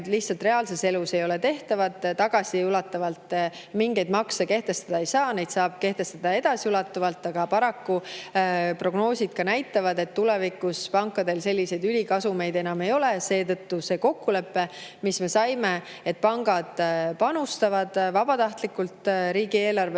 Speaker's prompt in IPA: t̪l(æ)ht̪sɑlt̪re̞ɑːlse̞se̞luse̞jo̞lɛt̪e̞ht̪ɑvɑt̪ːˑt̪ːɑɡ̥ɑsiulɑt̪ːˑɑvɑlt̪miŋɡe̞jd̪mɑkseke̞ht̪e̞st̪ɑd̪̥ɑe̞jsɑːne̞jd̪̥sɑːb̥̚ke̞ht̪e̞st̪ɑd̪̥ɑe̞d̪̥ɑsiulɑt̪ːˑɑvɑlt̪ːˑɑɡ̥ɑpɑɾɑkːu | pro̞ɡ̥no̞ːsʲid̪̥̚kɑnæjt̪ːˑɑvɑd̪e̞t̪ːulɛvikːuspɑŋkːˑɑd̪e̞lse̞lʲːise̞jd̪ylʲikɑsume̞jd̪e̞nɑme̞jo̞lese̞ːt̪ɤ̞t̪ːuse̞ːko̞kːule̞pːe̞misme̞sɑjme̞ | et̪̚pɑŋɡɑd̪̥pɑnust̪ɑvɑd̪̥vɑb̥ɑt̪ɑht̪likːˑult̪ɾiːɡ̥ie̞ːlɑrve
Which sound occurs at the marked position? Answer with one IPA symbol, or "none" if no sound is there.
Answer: i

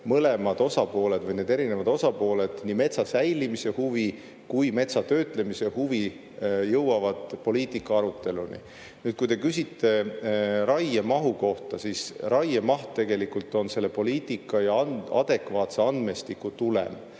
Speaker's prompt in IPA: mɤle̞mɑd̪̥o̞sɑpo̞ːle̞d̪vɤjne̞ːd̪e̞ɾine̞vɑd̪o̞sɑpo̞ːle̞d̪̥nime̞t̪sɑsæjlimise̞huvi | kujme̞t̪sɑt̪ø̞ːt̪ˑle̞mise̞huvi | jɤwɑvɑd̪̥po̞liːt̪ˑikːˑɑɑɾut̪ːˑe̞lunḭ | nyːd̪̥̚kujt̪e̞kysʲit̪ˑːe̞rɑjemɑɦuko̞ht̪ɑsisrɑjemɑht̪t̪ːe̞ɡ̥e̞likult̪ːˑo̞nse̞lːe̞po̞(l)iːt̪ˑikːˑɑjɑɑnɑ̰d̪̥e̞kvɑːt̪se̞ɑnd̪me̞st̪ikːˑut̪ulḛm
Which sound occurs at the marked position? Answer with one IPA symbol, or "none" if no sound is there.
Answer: l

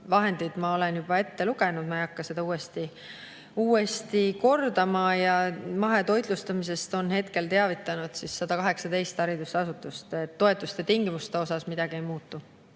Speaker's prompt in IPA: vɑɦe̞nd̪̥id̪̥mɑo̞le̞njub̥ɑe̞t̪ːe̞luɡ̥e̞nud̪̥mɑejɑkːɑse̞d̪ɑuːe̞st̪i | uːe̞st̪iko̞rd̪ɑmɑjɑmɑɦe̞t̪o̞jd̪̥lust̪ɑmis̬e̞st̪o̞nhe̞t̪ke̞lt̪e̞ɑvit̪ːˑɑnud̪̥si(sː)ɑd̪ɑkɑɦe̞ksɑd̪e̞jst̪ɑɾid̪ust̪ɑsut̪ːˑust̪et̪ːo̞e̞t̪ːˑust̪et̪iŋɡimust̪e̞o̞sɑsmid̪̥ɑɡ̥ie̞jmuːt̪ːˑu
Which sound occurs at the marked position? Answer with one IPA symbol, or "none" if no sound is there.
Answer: sː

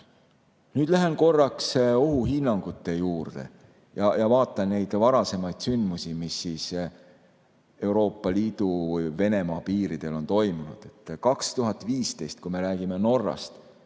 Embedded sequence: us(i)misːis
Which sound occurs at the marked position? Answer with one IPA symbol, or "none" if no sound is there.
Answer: i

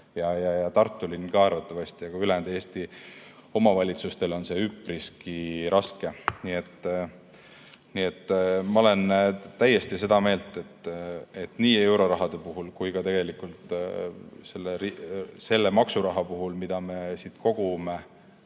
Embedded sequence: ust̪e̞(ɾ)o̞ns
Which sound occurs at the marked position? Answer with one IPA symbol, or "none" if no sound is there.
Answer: l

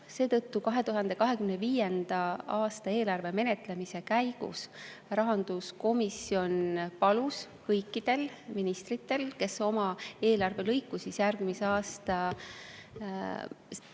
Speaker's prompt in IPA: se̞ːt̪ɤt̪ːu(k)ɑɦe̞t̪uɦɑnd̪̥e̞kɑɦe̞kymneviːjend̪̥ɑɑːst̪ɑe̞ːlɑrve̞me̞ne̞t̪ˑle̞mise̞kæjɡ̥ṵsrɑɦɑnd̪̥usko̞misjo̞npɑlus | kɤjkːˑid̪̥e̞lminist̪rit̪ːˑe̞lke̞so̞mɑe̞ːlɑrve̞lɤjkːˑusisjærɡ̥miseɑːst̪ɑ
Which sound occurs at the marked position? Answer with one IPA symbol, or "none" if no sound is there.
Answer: k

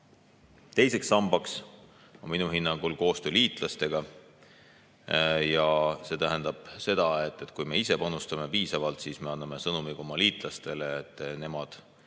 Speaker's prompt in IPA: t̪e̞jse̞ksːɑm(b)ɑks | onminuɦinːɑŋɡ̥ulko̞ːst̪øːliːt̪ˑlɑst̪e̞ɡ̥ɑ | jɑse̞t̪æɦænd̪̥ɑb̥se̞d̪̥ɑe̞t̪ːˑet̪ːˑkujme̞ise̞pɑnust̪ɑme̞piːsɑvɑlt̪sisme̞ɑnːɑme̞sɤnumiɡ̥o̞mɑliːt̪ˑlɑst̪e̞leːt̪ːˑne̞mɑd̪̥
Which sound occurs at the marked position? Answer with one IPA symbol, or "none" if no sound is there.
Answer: b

